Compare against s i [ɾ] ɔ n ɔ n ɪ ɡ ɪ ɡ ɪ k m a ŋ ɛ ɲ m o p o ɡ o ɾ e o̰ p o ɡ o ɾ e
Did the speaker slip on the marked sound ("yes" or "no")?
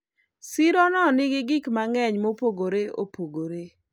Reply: no